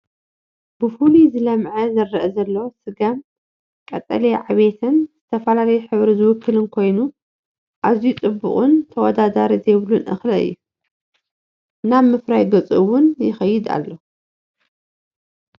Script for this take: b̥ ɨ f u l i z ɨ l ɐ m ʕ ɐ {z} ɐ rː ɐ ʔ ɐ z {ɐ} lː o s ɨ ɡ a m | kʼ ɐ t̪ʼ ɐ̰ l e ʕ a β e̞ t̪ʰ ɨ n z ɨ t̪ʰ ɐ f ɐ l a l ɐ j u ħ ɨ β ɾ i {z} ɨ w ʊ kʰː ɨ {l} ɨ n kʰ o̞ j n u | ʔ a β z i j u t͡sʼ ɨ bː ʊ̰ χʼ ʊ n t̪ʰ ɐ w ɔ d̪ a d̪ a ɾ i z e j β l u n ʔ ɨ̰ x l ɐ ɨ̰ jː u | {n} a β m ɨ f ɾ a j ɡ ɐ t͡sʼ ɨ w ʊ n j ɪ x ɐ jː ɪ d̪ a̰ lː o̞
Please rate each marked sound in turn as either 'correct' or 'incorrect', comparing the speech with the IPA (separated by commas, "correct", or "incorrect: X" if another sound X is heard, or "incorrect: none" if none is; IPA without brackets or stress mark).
correct, correct, correct, correct, correct